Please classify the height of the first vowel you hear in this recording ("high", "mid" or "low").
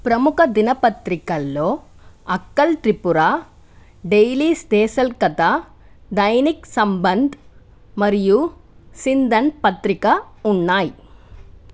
low